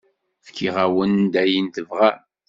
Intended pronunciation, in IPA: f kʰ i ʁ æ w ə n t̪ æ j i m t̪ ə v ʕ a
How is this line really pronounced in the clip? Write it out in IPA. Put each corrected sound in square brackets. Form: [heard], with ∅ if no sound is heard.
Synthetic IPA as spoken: f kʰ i ʁ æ w ə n [d̪] æ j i [n] t̪ ə v [ʁ] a